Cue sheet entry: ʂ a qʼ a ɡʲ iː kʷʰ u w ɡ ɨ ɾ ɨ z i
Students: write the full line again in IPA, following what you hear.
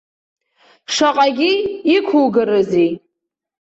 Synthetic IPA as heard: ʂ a qʼ a ɡʲ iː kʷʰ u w ɡ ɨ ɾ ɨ z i